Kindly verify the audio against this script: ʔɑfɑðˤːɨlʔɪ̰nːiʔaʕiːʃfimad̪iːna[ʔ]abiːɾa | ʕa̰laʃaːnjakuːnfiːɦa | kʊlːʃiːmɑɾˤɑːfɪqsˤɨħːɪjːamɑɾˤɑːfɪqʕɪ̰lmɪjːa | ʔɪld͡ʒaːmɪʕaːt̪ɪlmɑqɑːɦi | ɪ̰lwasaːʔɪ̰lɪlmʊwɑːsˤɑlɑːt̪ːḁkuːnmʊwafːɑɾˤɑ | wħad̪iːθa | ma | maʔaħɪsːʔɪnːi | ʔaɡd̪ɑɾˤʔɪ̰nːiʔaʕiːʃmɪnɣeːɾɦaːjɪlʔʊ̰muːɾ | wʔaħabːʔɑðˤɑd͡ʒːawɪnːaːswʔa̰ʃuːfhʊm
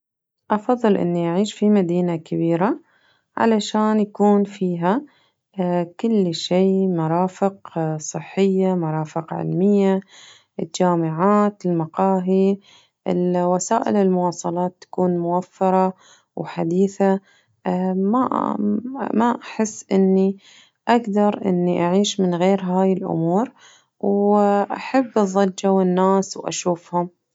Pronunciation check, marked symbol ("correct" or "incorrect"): incorrect